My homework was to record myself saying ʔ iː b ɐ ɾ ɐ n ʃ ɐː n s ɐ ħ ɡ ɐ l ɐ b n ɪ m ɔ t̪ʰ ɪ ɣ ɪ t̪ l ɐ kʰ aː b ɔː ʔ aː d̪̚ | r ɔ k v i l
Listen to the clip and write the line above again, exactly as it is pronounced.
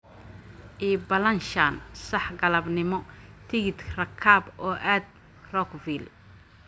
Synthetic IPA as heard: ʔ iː b ɐ l ɐ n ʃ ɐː n s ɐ ħ ɡ ɐ l ɐ b n ɪ m ɔ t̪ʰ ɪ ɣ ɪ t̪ r ɐ kʰ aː b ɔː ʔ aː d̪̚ | r ɔ k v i l